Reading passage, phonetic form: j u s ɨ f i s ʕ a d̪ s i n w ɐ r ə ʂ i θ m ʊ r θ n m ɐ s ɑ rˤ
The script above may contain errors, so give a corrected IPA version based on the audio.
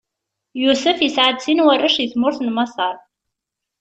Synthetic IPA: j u s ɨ f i s ʕ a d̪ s i n w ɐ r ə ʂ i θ m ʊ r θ n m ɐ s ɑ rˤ